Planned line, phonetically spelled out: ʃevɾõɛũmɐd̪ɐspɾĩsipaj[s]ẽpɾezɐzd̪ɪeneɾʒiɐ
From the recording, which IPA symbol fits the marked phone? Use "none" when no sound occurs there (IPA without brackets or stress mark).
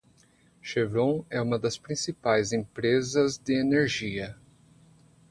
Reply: z